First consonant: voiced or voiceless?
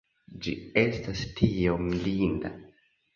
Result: voiced